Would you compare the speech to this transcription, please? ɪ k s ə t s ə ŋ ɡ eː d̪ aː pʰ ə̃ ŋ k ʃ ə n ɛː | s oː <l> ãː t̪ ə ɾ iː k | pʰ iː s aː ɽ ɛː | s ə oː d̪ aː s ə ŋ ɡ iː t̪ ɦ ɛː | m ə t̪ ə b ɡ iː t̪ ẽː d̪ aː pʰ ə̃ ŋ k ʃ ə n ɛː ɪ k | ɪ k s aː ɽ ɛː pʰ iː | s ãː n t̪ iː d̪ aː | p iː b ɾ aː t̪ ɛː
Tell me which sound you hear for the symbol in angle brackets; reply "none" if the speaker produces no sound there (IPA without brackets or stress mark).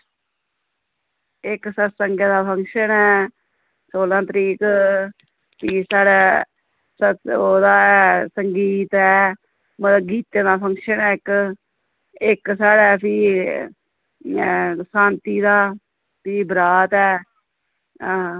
l